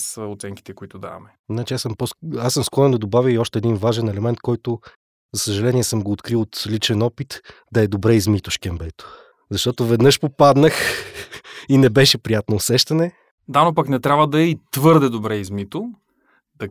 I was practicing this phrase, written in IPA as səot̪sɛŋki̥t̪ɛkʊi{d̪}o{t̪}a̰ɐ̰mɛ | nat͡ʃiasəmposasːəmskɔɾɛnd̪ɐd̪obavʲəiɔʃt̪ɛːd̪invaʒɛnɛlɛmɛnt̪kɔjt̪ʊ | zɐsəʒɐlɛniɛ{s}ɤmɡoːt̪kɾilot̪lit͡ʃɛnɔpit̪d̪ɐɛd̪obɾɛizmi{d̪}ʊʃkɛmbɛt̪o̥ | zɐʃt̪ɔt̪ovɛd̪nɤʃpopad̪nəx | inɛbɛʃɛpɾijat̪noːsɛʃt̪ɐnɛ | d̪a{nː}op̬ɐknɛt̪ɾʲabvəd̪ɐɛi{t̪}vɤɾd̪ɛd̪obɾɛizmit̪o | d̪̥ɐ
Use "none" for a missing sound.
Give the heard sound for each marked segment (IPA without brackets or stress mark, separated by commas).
t̪, d̪, s, t̪, n, t̪